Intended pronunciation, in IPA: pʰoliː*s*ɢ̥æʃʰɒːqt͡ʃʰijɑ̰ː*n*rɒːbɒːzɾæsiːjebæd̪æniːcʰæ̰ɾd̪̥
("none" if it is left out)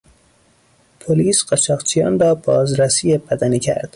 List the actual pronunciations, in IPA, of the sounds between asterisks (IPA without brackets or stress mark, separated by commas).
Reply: s, n